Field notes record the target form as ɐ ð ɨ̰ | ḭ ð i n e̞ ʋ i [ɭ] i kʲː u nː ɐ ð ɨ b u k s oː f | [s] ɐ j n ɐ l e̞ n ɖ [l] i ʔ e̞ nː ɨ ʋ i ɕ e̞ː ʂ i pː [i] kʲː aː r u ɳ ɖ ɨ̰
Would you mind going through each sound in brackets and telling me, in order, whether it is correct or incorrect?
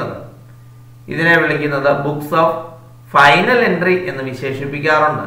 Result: correct, incorrect, incorrect, correct

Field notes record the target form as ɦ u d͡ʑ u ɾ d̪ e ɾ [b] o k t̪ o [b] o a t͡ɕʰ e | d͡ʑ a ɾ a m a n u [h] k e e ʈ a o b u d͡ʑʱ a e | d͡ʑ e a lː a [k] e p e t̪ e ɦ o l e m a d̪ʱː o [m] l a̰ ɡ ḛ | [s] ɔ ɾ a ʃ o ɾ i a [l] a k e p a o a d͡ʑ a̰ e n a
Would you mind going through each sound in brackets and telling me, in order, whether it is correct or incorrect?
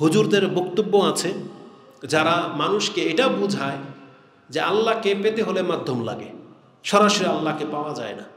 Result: correct, incorrect, incorrect, correct, correct, incorrect, incorrect

